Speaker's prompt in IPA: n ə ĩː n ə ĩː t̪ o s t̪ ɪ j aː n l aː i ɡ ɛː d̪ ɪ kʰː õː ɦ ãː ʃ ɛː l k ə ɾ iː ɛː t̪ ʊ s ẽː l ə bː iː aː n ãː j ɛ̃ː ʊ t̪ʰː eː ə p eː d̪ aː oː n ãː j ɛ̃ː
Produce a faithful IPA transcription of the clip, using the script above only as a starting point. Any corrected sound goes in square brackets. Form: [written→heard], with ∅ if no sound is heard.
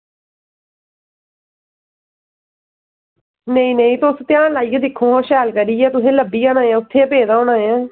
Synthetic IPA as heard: n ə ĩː n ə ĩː t̪ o s t̪ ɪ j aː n l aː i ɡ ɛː d̪ ɪ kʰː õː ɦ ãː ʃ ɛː l k ə ɾ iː ɛː t̪ ʊ s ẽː l ə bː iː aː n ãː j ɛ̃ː ʊ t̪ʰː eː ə p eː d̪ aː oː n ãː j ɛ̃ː